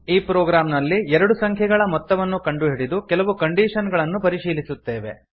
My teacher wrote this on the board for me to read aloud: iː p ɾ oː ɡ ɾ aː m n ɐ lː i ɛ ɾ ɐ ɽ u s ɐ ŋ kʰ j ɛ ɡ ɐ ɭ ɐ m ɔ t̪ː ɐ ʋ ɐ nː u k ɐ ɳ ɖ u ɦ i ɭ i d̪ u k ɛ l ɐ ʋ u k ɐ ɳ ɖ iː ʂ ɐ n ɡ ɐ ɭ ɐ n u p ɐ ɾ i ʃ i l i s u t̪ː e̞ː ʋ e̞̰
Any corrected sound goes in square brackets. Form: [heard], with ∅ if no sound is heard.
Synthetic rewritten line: iː p ɾ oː ɡ ɾ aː m n ɐ lː i ɛ ɾ ɐ ɽ u s ɐ ŋ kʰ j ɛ ɡ ɐ ɭ ɐ m ɔ t̪ː ɐ ʋ ɐ nː u k ɐ ɳ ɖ u ɦ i [ɽ] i d̪ u k ɛ l ɐ ʋ u k ɐ ɳ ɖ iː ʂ ɐ n ɡ ɐ ɭ ɐ [nː] u p ɐ ɾ i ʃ [iː] l i s u t̪ː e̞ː ʋ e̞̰